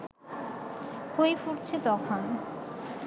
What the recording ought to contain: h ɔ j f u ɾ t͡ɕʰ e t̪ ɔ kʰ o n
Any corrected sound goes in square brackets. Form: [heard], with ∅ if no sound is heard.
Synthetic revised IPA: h [o] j f u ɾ t͡ɕʰ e t̪ ɔ kʰ o n